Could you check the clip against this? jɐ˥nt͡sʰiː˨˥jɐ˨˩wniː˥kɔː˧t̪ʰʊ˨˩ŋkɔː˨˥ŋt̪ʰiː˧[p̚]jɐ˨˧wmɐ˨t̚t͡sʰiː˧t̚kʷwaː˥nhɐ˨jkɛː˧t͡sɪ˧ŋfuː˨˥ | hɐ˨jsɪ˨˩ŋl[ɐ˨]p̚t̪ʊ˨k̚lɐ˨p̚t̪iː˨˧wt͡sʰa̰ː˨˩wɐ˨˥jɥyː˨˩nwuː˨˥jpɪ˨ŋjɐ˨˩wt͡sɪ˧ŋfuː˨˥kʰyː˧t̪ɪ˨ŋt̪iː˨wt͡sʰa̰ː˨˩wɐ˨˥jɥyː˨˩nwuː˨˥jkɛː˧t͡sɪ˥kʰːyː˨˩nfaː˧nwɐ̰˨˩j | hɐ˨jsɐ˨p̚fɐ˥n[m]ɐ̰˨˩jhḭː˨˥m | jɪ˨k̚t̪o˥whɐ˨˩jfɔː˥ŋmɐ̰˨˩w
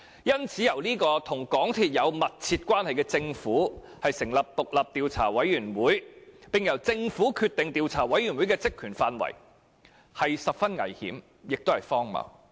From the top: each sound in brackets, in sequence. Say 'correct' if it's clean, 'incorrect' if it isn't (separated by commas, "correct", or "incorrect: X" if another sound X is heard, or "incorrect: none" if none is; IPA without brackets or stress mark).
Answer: incorrect: t̚, correct, incorrect: ŋ